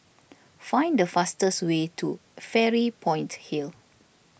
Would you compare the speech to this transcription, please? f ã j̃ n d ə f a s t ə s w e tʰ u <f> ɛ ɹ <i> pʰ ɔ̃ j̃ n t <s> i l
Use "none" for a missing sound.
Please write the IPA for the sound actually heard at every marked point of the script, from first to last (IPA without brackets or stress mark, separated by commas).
f, i, h